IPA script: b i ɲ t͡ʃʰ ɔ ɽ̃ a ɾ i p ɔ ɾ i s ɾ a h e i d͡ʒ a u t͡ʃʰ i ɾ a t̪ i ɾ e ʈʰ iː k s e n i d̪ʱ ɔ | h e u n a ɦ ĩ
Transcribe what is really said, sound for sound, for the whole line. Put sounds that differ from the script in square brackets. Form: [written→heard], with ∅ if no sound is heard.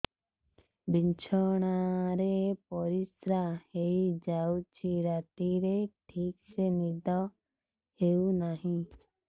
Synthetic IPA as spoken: b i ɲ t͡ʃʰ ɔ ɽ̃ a ɾ [i→e] p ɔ ɾ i s ɾ a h e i d͡ʒ a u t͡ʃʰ i ɾ a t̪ i ɾ e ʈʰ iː k s e n i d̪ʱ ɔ | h e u n a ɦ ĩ